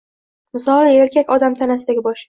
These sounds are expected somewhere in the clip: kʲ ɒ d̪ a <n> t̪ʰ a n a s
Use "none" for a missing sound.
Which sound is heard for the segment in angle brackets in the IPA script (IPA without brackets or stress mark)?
m